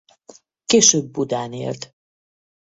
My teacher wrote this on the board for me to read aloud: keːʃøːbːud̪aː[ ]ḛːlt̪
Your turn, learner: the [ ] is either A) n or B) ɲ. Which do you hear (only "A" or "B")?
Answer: A